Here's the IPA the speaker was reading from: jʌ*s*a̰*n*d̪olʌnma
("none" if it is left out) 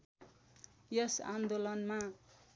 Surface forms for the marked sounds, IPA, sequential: s, n

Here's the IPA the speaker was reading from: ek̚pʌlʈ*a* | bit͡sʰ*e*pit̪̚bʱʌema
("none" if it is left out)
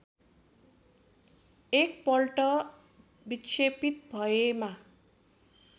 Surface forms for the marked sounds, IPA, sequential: ʌ, e

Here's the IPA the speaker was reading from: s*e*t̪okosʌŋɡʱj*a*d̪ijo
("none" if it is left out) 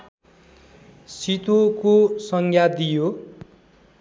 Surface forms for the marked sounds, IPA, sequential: i, a

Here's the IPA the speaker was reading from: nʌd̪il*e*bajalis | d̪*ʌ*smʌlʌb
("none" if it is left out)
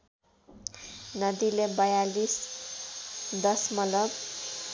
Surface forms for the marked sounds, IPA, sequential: e, ʌ

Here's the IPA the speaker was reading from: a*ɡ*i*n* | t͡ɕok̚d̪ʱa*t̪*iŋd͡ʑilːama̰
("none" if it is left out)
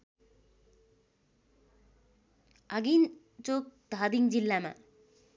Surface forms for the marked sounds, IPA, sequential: ɡ, n, d̪

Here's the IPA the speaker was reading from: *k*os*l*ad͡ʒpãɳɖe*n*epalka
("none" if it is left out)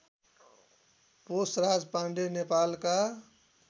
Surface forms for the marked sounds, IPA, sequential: p, ɾ, n

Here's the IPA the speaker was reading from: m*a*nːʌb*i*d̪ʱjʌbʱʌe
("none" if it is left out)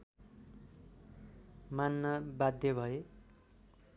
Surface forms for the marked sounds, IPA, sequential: a, a

